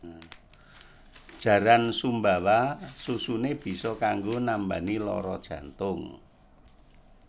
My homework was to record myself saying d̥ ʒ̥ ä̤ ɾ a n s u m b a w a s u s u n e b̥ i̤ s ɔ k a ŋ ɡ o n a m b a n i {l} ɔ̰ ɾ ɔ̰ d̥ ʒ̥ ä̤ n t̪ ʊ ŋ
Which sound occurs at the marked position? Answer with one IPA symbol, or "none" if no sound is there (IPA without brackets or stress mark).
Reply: l